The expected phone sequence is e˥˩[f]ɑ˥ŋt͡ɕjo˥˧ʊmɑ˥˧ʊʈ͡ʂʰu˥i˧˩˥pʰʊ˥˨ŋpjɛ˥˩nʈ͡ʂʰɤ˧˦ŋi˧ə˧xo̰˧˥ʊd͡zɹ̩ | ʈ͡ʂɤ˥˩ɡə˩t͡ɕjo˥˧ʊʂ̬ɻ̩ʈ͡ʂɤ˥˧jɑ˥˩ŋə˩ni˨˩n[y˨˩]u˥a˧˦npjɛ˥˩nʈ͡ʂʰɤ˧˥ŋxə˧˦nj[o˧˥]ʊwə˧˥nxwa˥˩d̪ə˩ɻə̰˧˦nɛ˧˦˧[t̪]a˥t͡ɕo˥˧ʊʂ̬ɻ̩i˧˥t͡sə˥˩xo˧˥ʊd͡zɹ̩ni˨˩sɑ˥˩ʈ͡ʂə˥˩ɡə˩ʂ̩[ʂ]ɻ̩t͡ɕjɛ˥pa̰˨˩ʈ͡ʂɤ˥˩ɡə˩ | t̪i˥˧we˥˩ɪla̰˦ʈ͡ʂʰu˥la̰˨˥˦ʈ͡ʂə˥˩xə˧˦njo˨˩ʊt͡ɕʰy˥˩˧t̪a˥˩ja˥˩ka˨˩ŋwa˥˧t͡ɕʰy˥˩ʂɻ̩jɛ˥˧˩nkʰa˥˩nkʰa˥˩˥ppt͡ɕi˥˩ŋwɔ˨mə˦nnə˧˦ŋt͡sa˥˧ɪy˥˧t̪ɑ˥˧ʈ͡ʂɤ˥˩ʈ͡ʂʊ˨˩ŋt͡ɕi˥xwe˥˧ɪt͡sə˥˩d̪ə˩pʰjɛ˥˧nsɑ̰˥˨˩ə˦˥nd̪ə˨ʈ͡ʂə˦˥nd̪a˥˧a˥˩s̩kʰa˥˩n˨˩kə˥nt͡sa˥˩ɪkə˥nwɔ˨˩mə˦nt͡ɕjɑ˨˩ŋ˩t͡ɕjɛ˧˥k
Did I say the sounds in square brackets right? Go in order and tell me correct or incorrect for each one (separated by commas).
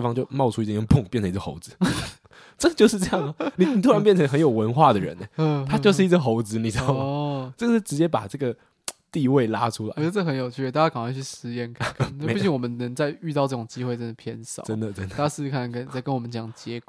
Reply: correct, incorrect, incorrect, incorrect, incorrect